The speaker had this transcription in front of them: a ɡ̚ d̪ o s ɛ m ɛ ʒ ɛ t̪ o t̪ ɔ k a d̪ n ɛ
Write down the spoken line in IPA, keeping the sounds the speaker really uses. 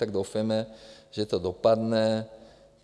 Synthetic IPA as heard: a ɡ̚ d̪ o f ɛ m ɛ ʒ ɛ t̪ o d̪ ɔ p a d̪ n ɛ

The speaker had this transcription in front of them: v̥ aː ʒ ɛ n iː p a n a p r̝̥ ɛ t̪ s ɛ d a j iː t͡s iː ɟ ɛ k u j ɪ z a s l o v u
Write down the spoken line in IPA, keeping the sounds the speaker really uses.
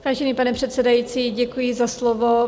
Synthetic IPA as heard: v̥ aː ʒ ɛ n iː p a n ɛ p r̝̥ ɛ t̪ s ɛ d a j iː t͡s iː ɟ ɛ k u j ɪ z a s l o v o

